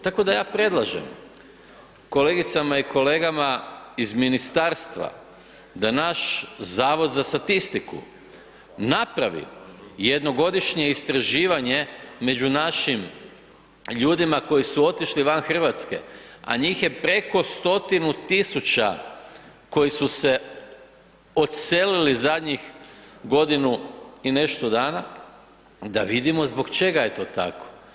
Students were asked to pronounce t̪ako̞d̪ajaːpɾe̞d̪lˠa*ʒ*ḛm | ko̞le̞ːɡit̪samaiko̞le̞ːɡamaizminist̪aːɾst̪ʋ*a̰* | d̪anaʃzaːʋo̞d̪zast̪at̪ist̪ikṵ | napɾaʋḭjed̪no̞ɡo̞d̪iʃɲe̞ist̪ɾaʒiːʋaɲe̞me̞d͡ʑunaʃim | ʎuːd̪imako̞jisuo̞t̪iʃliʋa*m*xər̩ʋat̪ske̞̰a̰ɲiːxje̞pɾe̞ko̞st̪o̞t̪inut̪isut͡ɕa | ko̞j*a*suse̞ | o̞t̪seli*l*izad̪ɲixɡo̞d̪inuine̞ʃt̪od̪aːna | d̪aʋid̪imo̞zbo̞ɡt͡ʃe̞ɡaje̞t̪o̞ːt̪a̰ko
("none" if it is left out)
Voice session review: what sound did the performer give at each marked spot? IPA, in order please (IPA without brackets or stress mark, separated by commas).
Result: ʒ, a̰, n, i, l